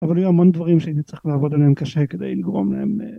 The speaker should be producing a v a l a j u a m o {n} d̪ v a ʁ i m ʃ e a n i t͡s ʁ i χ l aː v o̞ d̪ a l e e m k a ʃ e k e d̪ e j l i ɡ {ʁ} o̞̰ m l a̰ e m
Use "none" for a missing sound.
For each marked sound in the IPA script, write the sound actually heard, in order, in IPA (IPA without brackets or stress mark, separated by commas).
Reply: n, ʁ